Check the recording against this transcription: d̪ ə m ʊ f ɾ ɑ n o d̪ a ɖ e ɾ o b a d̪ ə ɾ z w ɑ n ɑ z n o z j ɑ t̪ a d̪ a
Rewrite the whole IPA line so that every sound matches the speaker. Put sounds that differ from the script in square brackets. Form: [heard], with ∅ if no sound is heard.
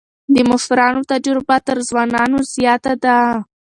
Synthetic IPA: d̪ ə m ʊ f ɾ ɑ n o [t̪] a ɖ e ɾ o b a [t̪] ə ɾ z w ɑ n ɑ [∅] n o z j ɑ t̪ a d̪ a